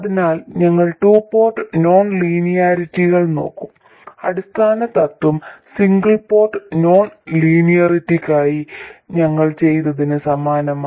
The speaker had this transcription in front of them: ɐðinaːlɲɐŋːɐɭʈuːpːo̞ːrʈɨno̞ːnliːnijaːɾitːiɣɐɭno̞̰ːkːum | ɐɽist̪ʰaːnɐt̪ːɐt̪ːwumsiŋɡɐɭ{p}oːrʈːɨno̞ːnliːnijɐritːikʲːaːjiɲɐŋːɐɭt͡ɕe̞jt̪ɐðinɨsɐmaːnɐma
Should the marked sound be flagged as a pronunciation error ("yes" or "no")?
no